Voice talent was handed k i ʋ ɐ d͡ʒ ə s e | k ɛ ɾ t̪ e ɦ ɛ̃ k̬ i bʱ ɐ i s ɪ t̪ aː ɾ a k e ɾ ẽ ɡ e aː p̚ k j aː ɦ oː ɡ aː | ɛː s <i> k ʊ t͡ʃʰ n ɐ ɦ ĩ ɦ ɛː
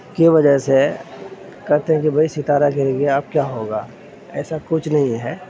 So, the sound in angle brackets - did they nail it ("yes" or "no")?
no